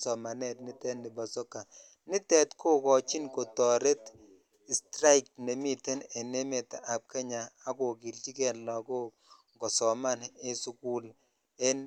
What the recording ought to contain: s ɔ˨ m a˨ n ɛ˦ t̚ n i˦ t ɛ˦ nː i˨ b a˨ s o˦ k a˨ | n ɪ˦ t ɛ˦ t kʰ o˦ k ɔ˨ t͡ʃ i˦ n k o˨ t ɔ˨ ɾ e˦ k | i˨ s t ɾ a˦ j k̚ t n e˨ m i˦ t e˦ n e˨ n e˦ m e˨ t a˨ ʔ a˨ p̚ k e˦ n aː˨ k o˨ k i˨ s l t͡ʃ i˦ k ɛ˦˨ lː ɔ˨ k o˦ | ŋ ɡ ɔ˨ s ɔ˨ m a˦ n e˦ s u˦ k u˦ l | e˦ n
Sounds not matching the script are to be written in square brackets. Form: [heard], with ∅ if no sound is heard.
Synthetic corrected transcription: s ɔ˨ m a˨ n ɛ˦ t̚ n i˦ t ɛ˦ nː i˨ b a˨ s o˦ k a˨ | n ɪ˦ t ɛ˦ t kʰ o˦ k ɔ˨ t͡ʃ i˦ n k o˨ t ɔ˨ ɾ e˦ [t] | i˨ s t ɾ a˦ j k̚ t n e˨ m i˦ t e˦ n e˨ n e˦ m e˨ t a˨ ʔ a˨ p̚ k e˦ [ɲ] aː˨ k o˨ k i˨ [∅] l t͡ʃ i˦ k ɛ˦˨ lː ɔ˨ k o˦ | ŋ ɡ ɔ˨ s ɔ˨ m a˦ n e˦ s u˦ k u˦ l | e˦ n